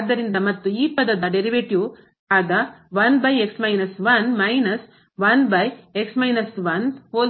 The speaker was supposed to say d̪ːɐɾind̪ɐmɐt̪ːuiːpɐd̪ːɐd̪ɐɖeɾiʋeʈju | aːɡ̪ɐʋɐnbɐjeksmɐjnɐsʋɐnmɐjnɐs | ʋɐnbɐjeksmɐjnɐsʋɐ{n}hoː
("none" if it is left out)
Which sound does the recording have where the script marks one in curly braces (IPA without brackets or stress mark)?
n